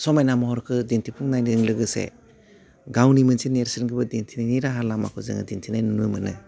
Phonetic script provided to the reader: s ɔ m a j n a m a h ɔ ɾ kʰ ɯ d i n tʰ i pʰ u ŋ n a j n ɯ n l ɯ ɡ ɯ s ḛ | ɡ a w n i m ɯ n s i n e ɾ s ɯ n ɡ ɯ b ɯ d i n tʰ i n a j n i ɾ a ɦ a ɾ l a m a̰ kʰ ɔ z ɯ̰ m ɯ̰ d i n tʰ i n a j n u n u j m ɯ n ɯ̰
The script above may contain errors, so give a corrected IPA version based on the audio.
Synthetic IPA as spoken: s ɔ m a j n a m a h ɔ ɾ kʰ ɯ d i n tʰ i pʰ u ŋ n a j n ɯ ŋ l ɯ ɡ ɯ s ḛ | ɡ a w n i m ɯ n s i n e ɾ s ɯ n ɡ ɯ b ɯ d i n tʰ i n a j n i ɾ a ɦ a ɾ l a m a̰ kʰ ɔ z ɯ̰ ŋ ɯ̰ d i n tʰ i n a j n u n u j m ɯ n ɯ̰

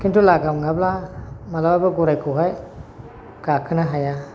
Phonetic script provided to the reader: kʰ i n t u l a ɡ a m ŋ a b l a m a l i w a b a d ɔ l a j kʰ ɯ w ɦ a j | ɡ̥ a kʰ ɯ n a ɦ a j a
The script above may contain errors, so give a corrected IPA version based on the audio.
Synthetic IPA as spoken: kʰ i n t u l a ɡ a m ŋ a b l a m a l a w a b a ɡ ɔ ɾ a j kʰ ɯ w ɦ a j | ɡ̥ a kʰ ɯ n a ɦ a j a

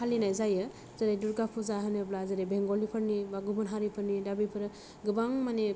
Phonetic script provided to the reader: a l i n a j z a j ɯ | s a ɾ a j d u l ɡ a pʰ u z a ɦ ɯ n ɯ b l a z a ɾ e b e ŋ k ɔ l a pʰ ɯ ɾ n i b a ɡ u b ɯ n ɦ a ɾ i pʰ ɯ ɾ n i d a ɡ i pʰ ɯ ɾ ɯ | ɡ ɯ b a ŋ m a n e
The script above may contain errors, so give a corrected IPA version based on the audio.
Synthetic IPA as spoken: a l i n a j z a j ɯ | z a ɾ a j d u ɾ ɡ a pʰ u z a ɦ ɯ n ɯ b l a z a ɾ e b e ŋ ɡ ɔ l i pʰ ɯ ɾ n i b a ɡ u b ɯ n ɦ a ɾ i pʰ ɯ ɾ n i d a b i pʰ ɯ ɾ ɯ | ɡ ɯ b a ŋ m a n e

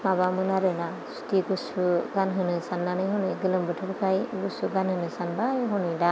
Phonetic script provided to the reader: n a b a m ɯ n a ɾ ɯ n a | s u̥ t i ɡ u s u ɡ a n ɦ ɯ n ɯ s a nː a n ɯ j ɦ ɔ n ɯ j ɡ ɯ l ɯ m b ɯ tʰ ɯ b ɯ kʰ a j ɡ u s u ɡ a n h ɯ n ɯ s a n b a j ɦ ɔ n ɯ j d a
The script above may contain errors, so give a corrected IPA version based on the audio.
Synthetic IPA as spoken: m a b a m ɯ n a ɾ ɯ n a | s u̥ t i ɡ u s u ɡ a n ɦ ɯ n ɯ s a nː a n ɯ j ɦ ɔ n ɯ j ɡ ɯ l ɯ m b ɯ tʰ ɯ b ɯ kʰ a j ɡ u s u ɡ a n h ɯ n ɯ s a n b a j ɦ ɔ n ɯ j d a

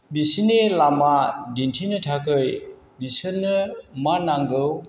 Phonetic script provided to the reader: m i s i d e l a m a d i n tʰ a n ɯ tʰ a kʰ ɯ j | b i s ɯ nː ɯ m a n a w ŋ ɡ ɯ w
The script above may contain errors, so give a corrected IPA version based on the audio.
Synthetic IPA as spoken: b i s i n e l a m a d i n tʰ i n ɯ tʰ a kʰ ɯ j | b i s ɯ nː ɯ m a n a ŋ ɡ ɯ w

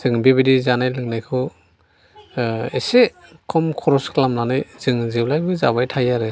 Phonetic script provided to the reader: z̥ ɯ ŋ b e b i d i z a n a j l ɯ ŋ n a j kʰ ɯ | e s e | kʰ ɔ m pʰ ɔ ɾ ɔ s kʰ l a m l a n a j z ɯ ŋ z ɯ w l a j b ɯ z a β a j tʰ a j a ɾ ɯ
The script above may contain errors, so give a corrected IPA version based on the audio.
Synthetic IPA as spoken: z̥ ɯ ŋ b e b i d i z a n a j l ɯ ŋ n a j kʰ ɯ | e s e | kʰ ɔ m kʰ ɔ ɾ ɔ s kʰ l a m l a n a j z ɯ ŋ z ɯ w l a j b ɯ z a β a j tʰ a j a ɾ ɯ

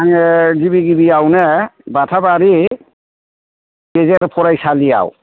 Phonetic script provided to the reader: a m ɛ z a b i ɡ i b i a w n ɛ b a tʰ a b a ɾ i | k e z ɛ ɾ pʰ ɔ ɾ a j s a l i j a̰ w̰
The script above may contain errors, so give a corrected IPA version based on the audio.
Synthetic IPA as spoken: a ŋ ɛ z i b i ɡ i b i a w n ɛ b a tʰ a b a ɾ i | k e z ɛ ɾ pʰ ɔ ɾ a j s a l i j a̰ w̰

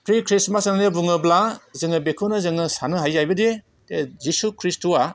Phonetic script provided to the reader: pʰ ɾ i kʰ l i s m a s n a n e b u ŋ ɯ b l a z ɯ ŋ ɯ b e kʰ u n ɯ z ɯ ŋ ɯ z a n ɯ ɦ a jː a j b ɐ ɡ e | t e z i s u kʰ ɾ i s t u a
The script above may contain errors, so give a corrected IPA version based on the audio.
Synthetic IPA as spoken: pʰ ɾ i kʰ ɾ i s m a s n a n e b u ŋ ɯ b l a z ɯ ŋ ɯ b e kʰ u n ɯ z ɯ ŋ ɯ s a n ɯ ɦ a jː a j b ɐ d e | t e z i s u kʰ ɾ i s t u a

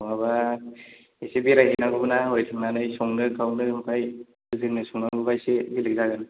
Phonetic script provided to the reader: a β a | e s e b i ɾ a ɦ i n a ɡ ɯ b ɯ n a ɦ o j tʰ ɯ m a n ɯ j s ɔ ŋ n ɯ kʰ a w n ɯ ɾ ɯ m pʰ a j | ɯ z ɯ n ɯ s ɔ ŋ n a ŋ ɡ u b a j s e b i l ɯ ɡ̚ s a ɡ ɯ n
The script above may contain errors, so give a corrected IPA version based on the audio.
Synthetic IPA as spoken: a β a | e s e b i ɾ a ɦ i n a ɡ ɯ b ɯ n a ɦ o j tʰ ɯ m a n ɯ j s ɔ ŋ n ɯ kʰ a w n ɯ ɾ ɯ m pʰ a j | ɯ z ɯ n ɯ s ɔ ŋ n a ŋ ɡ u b a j s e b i l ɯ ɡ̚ z a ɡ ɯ n

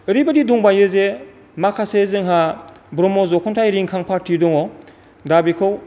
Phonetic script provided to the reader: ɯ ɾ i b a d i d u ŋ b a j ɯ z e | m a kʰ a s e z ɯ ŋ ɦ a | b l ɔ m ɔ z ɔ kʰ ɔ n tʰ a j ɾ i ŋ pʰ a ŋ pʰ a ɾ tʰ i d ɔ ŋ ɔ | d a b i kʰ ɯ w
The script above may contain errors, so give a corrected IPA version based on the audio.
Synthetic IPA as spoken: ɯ ɾ i b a d i d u ŋ b a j ɯ z e | m a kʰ a s e z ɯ ŋ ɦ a | b ɾ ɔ m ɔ z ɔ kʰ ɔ n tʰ a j ɾ i ŋ kʰ a ŋ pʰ a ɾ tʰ i d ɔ ŋ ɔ | d a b i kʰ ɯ w

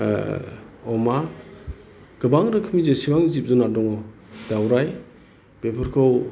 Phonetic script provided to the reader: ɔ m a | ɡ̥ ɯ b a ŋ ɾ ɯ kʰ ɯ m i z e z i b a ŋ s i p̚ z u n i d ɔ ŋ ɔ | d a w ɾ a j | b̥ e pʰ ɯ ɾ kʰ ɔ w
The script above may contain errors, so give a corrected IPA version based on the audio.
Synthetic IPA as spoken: ɔ m a | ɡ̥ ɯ b a ŋ ɾ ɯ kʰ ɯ m i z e s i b a ŋ z i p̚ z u n a d ɔ ŋ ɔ | d a w ɾ a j | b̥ e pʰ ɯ ɾ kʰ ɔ w

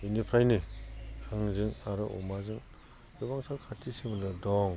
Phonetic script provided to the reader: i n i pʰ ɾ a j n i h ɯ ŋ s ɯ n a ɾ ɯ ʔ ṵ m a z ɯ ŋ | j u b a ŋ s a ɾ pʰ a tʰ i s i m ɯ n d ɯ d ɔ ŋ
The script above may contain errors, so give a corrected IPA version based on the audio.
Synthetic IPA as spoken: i n i pʰ ɾ a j n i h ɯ ŋ z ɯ ŋ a ɾ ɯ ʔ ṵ m a z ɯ ŋ | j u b a ŋ s a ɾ kʰ a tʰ i s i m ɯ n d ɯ d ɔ ŋ

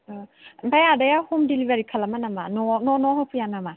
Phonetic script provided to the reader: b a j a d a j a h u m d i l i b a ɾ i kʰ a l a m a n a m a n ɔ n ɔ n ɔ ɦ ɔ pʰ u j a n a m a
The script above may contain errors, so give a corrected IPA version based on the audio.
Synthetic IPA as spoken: b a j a d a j a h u m d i l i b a ɾ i kʰ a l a m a n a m a n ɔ n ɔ n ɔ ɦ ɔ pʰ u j a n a m a

